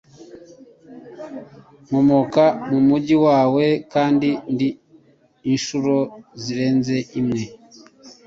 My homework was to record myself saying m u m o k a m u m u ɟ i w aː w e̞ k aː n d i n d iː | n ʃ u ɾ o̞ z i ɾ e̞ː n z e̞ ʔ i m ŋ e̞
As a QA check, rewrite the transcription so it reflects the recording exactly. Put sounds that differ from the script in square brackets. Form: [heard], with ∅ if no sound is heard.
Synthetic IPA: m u m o k a m u m u ɟ i w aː w e̞ k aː n d i n d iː | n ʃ u ɾ o̞ z i ɾ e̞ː n z e̞ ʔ i m ŋ e̞